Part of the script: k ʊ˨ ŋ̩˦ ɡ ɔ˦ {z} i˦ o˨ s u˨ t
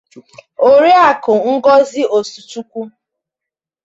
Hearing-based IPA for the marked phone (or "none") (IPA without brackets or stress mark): z